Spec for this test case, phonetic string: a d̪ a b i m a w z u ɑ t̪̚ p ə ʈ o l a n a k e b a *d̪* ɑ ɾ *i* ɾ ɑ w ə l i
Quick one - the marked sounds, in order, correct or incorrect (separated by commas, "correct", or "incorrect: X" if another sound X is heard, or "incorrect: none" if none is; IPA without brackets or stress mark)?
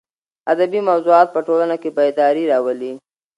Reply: correct, correct